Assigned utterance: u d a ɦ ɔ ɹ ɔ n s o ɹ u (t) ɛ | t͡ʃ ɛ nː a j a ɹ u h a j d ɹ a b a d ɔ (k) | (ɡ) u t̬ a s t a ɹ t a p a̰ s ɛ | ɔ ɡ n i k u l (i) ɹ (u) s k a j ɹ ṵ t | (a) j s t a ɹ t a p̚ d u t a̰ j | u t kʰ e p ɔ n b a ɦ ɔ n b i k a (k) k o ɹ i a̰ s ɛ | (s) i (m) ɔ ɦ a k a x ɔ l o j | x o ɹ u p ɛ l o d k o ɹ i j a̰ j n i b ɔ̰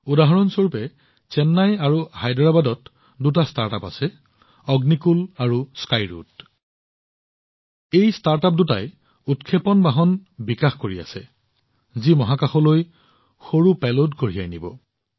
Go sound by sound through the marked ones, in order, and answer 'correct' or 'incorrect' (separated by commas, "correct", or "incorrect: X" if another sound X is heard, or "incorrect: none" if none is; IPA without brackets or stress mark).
incorrect: p, incorrect: t, incorrect: d, incorrect: a, correct, incorrect: e, incorrect: x, incorrect: z, correct